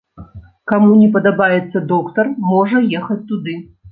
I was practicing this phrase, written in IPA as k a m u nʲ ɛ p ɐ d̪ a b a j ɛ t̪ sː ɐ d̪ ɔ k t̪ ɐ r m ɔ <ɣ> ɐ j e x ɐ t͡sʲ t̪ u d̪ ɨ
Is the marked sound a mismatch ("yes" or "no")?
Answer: yes